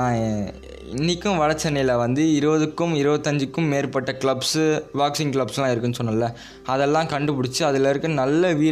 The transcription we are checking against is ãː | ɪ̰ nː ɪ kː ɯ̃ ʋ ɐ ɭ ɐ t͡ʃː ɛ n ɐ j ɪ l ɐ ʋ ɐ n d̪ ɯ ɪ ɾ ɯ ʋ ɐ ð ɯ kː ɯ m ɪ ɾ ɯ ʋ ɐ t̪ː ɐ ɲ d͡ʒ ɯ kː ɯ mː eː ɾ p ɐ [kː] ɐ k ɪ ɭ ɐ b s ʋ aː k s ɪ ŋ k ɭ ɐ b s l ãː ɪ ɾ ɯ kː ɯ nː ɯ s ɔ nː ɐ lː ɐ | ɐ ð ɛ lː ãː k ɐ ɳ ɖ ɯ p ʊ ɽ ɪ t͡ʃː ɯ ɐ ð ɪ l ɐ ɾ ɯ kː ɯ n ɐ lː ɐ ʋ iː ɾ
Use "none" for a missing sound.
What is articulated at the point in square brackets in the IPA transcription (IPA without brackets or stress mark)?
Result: ʈː